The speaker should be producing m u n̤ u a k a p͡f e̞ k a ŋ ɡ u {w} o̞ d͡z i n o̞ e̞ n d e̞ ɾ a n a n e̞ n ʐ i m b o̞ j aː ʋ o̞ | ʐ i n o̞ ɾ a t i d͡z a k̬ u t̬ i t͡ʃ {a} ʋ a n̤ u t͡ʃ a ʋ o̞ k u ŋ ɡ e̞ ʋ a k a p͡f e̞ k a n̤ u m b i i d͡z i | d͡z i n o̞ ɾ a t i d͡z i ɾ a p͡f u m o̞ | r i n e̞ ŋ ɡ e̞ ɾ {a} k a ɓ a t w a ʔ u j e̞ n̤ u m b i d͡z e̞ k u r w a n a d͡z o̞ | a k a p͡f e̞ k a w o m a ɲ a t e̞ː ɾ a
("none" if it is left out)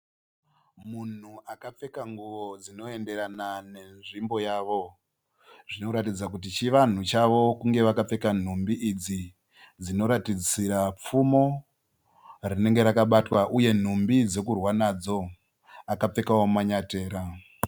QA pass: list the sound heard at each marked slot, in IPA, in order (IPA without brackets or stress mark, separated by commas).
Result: ʋ, i, a